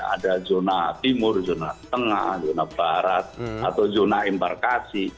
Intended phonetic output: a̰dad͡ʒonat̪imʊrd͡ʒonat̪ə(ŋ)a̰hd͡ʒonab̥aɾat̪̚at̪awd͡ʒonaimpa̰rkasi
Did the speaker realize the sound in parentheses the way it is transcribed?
yes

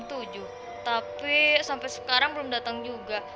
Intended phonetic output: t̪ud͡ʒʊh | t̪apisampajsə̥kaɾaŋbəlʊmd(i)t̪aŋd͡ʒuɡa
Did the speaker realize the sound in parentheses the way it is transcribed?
no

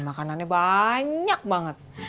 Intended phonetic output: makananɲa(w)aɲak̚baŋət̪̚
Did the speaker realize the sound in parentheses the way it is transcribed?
no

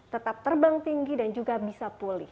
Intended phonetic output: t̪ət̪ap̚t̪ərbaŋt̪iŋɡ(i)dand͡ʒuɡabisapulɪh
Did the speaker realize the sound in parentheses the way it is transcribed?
yes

